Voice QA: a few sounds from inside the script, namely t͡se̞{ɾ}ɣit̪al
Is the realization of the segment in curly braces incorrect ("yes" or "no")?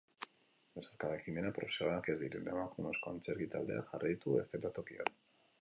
no